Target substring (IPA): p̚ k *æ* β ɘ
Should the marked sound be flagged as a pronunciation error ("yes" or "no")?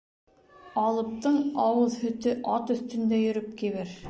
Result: yes